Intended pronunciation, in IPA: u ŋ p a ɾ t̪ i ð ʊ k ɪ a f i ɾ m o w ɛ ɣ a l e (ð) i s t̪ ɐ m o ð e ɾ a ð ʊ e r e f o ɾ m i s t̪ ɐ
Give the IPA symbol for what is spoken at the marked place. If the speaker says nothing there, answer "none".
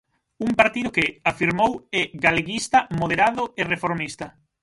ɣ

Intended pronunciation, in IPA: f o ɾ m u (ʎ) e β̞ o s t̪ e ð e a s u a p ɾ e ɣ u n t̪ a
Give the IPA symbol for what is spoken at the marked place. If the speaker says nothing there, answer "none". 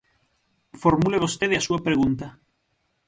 l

